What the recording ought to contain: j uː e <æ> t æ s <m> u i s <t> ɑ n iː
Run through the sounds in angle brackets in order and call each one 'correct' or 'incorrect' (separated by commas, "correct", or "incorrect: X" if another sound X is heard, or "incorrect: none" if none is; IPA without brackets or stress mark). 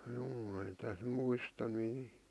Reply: incorrect: i, correct, correct